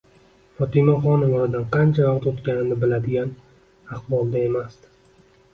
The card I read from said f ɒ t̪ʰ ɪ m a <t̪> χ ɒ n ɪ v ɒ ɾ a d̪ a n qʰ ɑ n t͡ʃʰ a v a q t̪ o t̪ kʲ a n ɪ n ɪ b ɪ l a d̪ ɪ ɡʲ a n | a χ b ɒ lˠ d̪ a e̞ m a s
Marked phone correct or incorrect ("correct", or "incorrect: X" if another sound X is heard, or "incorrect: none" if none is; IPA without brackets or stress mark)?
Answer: incorrect: none